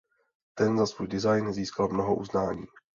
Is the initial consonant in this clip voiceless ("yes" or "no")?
yes